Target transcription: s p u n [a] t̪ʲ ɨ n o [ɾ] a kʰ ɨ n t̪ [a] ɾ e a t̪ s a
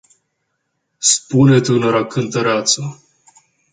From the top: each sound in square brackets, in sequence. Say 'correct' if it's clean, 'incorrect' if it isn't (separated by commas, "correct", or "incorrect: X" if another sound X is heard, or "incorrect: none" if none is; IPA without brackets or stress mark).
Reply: incorrect: e, correct, incorrect: ə